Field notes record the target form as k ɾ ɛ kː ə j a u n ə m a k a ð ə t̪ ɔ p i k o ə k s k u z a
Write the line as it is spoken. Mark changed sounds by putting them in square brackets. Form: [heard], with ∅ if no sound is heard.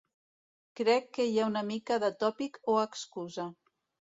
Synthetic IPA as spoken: k ɾ ɛ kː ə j a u n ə m [i] k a ð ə t̪ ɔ p i k o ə k s k u z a